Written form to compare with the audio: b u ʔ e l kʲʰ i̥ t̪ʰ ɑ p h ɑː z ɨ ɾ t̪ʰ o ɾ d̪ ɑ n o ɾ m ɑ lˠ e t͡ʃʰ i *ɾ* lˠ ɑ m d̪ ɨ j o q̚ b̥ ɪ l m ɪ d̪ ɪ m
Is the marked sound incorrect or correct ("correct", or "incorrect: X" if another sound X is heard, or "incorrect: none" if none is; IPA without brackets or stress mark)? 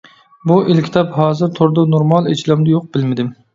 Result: incorrect: none